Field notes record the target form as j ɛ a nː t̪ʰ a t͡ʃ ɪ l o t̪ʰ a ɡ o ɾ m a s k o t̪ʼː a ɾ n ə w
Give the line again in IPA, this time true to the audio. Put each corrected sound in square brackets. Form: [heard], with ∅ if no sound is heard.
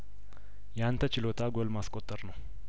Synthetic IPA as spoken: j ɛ a [n] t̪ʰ [ə] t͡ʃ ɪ l o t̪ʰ a ɡ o [l] m a s [kʼ] o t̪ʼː [ə] ɾ n ə w

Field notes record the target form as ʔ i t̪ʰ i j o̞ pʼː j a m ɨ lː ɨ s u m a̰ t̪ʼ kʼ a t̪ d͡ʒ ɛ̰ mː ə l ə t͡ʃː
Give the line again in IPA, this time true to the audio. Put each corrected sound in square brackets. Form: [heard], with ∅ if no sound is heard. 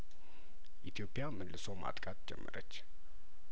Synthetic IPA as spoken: ʔ i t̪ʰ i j o̞ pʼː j a m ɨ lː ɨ s [o] m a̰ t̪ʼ kʼ a t̪ d͡ʒ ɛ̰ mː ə [ɾ] ə t͡ʃː

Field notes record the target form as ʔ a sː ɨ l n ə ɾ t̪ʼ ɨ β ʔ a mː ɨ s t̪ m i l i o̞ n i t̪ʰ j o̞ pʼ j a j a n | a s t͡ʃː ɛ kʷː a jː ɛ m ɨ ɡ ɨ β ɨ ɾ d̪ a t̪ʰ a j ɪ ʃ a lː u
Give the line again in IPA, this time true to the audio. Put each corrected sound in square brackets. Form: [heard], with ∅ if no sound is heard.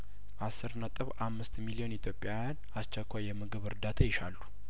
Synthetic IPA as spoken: ʔ a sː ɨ [ɾ] n ə [∅] t̪ʼ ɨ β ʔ a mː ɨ s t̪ m i l i o̞ n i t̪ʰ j o̞ pʼ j a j a n | a s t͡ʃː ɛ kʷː a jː ɛ m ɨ ɡ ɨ β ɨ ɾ d̪ a t̪ʰ a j ɪ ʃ a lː u

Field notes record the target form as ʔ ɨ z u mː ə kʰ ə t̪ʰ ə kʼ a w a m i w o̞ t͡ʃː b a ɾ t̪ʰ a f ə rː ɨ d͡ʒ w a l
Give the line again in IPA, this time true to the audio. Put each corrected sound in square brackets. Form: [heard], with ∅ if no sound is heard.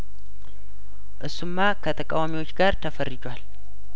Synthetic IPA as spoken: ʔ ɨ [s] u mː [a] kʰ ə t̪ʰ ə kʼ a w a m i w o̞ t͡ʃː [ɡ] a ɾ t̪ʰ [ə] f ə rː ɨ d͡ʒ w a l

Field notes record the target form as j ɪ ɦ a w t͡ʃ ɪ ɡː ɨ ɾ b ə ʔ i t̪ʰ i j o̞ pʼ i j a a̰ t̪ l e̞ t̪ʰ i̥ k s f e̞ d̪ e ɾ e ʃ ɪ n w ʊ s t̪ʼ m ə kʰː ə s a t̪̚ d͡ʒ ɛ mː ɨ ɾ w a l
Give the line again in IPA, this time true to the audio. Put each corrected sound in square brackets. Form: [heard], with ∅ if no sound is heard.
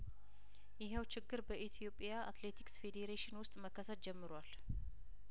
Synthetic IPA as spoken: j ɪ ɦ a w t͡ʃ ɪ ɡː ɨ ɾ b ə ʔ i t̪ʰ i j o̞ pʼ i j a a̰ t̪ l e̞ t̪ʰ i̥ k s f e̞ d̪ e ɾ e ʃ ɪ n w ʊ s t̪ʼ m ə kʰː ə s [ə] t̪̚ d͡ʒ ɛ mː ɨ ɾ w a l

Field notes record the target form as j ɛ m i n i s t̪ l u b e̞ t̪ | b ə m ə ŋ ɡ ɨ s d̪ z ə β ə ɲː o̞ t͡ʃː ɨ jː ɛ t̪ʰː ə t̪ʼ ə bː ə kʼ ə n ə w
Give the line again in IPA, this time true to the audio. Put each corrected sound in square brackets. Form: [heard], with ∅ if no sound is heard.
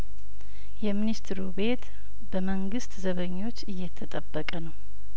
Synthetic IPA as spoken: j ɛ m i n i s t̪ [ɾ] u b e̞ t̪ | b ə m ə ŋ ɡ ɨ s [t̪] z ə β ə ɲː o̞ t͡ʃː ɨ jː ɛ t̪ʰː ə t̪ʼ ə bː ə kʼ ə n ə w

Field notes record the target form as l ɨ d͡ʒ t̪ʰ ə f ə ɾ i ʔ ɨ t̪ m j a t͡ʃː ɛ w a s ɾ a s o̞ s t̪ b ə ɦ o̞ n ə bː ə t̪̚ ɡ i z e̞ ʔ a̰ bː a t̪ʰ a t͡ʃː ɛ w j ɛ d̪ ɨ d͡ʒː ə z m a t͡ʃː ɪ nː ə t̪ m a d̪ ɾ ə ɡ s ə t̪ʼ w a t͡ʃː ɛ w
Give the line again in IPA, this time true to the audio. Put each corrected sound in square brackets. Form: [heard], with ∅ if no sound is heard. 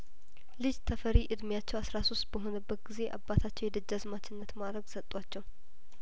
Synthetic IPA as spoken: l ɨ d͡ʒ t̪ʰ ə f ə ɾ i ʔ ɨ [d̪] m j a t͡ʃː ɛ w a s ɾ a s o̞ s t̪ b ə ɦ o̞ n ə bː ə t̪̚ ɡ i z e̞ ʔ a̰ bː a t̪ʰ a t͡ʃː ɛ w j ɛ d̪ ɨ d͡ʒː [a] z m a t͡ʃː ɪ nː ə t̪ m a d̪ ɾ ə ɡ s ə t̪ʼ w a t͡ʃː ɛ w

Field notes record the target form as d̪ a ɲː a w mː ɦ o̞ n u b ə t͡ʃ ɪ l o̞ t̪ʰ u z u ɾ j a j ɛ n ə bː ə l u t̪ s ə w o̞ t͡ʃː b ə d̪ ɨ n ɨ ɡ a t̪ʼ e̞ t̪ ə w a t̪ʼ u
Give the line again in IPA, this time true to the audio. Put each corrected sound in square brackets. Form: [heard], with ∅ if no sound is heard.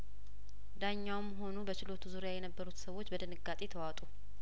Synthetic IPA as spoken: d̪ a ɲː a w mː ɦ o̞ n u b ə t͡ʃ ɪ l o̞ t̪ʰ u z u ɾ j a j ɛ n ə bː ə [ɾ] u t̪ s ə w o̞ t͡ʃː b ə d̪ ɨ n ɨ ɡ a t̪ʼ e̞ [t̪ʰ] ə w a t̪ʼ u

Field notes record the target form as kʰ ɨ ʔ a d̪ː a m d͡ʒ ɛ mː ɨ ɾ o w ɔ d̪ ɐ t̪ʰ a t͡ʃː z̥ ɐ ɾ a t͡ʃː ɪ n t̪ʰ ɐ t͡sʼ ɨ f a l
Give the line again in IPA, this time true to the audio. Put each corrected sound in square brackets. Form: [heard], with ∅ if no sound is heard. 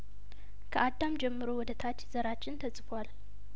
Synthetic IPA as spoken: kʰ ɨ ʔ a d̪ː a m d͡ʒ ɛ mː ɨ ɾ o w ɔ d̪ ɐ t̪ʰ a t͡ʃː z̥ ɐ ɾ a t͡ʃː ɪ n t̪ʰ ɐ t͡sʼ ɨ f a l

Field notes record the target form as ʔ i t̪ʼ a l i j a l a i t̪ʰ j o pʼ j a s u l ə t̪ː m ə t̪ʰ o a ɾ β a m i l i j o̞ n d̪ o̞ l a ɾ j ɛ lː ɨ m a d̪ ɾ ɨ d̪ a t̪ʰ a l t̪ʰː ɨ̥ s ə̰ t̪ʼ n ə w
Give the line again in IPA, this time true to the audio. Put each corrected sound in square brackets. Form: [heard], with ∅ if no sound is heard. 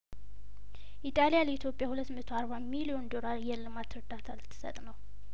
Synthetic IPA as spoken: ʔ i t̪ʼ a l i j a l [ə] i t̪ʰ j o pʼ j a [h] u l ə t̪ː m ə t̪ʰ o a ɾ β a m i l i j o̞ n d̪ o̞ l a ɾ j ɛ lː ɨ m a [t̪] ɾ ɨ d̪ a t̪ʰ a l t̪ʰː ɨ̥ s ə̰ t̪ʼ n ə w

